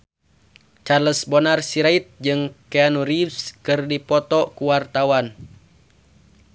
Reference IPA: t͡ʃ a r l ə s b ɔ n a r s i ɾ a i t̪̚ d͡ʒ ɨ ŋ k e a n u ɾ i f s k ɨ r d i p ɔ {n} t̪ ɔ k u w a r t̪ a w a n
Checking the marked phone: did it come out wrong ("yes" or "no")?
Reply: yes